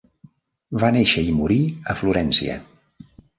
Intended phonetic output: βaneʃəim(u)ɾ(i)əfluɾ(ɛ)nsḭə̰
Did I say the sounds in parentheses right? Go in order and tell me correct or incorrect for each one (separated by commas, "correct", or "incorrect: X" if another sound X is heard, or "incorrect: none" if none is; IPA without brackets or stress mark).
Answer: correct, correct, correct